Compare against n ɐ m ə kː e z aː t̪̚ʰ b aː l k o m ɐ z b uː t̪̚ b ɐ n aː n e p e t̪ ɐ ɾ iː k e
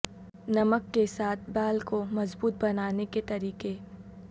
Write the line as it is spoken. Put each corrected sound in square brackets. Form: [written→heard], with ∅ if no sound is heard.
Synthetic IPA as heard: n ɐ m ə kː e [z→s] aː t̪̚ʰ b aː l k o m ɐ z b uː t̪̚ b ɐ n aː n e [p→k] e t̪ ɐ ɾ iː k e